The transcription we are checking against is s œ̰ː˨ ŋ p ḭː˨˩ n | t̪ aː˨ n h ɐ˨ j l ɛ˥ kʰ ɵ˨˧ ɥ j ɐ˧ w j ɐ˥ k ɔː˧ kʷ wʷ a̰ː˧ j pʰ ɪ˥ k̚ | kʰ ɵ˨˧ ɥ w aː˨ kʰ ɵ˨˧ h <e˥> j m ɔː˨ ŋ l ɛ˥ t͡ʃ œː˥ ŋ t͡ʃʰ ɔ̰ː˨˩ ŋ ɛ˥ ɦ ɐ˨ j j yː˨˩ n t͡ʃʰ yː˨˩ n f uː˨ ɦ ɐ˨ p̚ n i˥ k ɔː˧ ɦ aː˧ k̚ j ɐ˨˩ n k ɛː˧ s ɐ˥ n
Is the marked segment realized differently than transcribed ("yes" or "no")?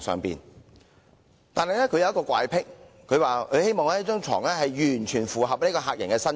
no